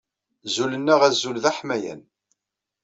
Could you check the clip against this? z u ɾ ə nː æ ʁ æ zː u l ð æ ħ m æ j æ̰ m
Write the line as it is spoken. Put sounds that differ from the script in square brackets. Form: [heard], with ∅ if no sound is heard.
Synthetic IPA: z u [l] ə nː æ ʁ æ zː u l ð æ ħ m æ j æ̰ [n]

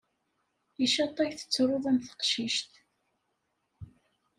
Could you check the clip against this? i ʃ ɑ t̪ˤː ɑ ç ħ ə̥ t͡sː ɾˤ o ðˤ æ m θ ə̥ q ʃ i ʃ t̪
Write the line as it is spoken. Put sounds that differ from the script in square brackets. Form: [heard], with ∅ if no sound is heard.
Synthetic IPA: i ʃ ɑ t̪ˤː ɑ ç [θ] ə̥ t͡sː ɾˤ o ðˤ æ m θ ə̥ q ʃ i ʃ t̪

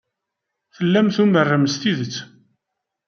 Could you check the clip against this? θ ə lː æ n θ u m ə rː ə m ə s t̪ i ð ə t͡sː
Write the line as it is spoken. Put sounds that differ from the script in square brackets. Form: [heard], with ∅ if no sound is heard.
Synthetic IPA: θ ə lː æ [m] θ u m ə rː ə m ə s t̪ i ð ə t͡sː

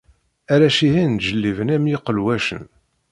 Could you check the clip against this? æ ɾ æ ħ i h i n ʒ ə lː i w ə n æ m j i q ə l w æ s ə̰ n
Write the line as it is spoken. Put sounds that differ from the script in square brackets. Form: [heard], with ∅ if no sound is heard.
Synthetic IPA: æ ɾ æ [ʃ] i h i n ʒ ə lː i [v] ə n æ m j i q ə l w æ [ʃ] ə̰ n

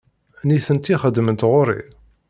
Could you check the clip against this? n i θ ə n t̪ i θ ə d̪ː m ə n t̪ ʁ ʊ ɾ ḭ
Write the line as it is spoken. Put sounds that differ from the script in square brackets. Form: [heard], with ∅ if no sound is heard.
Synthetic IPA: n i θ ə n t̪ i [χ] ə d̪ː m ə n t̪ ʁ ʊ ɾ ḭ

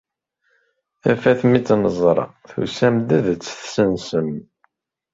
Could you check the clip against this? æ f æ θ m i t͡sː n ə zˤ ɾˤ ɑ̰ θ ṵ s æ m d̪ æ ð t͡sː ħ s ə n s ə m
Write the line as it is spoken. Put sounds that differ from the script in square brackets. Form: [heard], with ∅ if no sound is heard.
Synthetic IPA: æ f æ θ m i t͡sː n ə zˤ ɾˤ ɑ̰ θ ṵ s æ m d̪ æ ð t͡sː [θ] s ə n s ə m

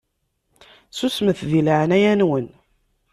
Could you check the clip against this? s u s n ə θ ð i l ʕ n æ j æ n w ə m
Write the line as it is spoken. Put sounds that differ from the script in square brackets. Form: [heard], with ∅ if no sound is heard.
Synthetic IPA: s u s [m] ə θ ð i l ʕ n æ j æ n w ə [n]

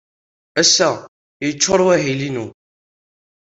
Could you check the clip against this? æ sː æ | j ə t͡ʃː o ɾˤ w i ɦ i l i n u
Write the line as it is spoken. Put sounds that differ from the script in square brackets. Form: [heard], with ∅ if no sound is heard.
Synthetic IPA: æ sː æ | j ə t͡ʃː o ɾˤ w [æ] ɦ i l i n u

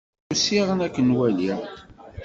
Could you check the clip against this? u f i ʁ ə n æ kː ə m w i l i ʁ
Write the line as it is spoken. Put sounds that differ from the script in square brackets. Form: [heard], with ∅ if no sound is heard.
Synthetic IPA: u [s] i ʁ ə n æ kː ə [n] w [æ] l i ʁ

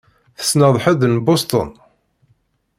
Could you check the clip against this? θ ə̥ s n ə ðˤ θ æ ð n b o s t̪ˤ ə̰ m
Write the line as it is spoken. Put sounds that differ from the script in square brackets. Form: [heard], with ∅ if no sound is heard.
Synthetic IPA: θ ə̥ s n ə ðˤ [ħ] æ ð n b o s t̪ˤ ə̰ [n]

